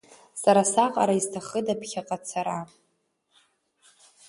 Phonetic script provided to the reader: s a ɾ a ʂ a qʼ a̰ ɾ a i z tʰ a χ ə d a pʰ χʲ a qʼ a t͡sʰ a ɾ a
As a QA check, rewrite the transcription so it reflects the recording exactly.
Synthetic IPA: s a ɾ a s a qʼ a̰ ɾ a i z tʰ a χ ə d a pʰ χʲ a qʼ a t͡sʰ a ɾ a